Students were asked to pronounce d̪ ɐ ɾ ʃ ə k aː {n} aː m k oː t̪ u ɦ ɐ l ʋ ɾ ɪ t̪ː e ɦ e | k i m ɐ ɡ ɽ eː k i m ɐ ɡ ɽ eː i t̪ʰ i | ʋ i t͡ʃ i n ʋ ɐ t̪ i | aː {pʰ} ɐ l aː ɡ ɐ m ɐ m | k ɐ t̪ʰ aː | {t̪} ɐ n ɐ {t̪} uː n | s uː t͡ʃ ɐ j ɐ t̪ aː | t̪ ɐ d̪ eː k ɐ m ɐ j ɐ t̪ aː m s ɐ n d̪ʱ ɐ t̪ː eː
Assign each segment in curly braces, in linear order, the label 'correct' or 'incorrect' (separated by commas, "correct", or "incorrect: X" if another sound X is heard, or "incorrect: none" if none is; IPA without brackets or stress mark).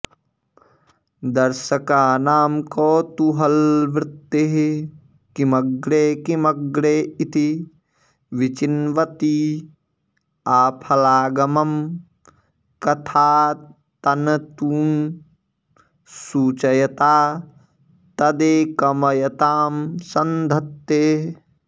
correct, correct, correct, correct